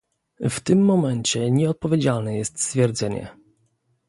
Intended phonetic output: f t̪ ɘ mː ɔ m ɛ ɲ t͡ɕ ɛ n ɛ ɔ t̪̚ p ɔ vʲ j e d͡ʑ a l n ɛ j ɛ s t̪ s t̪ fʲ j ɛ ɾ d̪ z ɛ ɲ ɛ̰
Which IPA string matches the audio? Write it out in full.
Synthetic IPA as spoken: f t̪ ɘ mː ɔ m ɛ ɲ t͡ɕ ɛ ɲ ɛ ɔ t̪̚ p ɔ vʲ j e d͡ʑ a l n ɛ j ɛ s t̪ s t̪ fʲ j ɛ ɾ d̪ z ɛ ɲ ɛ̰